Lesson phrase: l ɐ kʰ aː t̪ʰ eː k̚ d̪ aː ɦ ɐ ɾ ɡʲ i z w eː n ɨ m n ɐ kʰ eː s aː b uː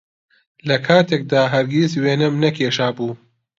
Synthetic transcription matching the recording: l ɐ kʰ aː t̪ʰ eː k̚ d̪ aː ɦ ɐ ɾ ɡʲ i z w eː n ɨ m n ɐ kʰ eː ʃ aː b uː

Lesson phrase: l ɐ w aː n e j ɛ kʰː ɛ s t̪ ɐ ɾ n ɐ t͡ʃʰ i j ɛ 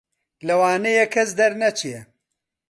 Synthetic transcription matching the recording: l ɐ w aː n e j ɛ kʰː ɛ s d̪ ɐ ɾ n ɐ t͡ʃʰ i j ɛ

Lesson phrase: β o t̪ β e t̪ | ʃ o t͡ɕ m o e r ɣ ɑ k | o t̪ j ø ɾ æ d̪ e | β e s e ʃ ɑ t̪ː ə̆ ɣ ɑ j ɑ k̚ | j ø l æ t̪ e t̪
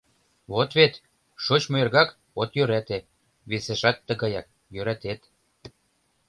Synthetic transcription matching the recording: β o t̪ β e t̪ | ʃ o t͡ɕ m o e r ɣ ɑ k | o t̪ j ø ɾ æ t̪ e | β e s e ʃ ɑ t̪ː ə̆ ɣ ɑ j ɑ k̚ | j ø ɾ æ t̪ e t̪

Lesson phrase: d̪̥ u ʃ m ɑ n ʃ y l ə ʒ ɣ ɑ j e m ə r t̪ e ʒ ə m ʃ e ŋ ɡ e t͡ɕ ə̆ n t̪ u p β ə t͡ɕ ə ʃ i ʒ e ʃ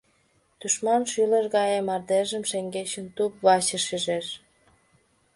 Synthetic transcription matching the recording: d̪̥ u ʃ m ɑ n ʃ y l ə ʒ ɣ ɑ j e m ɑ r d̪ e ʒ ə m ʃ e ŋ ɡ e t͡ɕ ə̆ n t̪ u p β ɑ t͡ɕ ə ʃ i ʒ e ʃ

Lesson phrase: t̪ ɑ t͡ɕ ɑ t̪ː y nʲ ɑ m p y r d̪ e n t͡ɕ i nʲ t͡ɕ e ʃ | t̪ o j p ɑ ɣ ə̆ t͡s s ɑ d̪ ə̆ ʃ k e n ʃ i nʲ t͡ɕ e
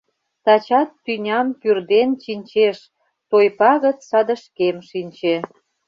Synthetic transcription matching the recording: t̪ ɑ t͡ɕ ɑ t̪ː y nʲ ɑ m p y r d̪ e n t͡ɕ i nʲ t͡ɕ e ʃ | t̪ o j p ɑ ɣ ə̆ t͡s s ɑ d̪ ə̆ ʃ k e m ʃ i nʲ t͡ɕ e

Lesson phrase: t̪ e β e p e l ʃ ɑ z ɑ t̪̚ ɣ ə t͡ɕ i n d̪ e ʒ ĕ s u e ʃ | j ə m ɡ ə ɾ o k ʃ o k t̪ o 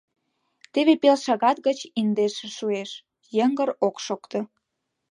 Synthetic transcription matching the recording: t̪ e β e p e l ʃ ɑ ɣ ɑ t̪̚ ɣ ə t͡ɕ i n d̪ e ʃ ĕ ʃ u e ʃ | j ə ŋ ɡ ə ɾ o k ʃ o k t̪ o

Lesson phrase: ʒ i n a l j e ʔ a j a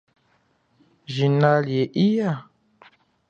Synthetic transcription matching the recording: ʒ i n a l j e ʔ i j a

